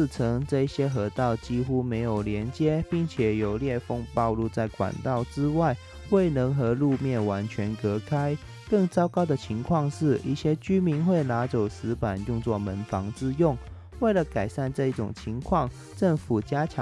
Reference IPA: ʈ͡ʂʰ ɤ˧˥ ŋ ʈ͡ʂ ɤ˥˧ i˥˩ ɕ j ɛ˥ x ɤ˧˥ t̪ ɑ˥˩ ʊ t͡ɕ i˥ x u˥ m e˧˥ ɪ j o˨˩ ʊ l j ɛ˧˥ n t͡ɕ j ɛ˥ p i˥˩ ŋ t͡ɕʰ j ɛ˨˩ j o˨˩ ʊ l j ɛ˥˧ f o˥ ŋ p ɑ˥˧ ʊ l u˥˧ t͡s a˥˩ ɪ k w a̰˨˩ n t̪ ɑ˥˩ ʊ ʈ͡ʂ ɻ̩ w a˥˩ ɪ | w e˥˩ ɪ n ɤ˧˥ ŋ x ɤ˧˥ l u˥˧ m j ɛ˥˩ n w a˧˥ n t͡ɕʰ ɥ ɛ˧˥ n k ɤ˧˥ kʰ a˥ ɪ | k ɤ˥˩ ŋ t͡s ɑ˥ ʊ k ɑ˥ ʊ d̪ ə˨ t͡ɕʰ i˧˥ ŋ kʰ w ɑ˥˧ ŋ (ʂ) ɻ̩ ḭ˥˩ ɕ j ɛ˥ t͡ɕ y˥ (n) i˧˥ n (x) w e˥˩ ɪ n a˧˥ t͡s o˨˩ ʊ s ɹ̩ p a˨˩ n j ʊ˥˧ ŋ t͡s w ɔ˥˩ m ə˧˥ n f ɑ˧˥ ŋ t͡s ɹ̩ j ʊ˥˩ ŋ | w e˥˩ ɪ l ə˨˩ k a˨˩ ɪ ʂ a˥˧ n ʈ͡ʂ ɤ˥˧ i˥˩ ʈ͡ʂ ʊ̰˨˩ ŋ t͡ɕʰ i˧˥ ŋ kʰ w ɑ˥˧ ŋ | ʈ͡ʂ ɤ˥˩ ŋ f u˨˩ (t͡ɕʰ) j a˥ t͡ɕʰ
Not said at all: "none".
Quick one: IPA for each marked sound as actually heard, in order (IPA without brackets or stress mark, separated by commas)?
ʂ, m, x, t͡ɕ